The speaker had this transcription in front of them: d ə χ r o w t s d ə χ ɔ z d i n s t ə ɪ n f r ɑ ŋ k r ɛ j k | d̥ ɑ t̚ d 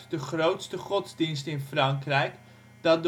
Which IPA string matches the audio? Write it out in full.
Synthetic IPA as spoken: d ə χ r o w t s t ə χ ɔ z d i n s t ə ɪ n f r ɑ ŋ k r ɛ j k | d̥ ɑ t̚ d